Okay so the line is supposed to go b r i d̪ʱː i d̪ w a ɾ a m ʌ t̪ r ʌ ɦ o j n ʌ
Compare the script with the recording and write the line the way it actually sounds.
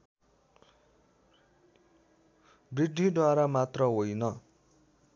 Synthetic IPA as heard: b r i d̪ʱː i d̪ w a ɾ a m a t̪ r ʌ ɦ o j n ʌ

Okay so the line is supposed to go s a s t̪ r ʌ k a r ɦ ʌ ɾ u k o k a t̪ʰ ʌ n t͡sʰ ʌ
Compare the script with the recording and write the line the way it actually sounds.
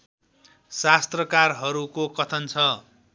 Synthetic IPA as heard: s a s t̪ r ʌ k a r ɦ ʌ ɾ u k o k ʌ t̪ʰ ʌ n t͡sʰ ʌ

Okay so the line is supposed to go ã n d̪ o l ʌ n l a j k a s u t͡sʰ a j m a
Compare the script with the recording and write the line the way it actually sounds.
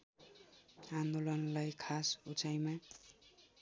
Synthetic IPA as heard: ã n d̪ o l ʌ n l a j kʰ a s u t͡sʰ a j m a

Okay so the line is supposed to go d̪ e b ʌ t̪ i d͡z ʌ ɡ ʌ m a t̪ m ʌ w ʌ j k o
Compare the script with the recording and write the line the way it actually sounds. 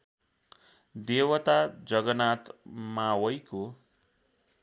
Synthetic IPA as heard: d̪ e w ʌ t̪ a d͡z ʌ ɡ ʌ n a t̪ m a w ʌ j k o

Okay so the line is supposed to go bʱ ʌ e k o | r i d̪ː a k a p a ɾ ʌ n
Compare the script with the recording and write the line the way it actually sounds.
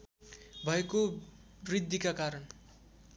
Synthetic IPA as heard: bʱ ʌ e k o | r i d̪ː i k a k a ɾ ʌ n

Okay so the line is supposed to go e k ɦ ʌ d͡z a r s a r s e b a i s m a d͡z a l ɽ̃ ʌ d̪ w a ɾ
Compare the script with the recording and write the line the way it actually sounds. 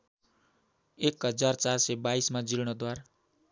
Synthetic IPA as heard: e k ɦ ʌ d͡z a r t͡s a r s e b a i s m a d͡z i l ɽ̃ ʌ d̪ w a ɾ

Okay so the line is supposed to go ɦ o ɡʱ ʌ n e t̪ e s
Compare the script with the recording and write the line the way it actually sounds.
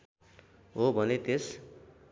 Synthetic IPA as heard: ɦ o bʱ ʌ n e t̪ e s

